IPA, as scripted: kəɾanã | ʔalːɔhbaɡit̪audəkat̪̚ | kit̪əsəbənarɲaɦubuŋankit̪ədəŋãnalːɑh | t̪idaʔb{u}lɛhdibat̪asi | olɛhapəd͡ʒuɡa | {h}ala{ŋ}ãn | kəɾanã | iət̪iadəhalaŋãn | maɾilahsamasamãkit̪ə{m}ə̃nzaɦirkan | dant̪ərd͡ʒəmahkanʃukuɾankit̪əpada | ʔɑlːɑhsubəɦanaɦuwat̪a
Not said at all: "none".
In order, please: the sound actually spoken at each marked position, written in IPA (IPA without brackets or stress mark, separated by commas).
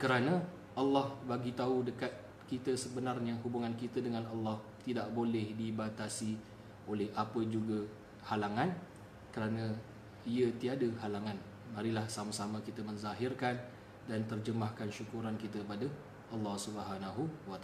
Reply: o, h, ŋ, m